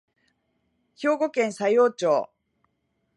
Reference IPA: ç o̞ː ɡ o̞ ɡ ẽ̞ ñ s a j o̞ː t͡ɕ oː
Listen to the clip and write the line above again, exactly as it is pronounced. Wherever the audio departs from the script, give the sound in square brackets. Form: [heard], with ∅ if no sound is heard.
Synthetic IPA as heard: ç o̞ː ɡ o̞ [k] ẽ̞ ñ s a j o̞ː t͡ɕ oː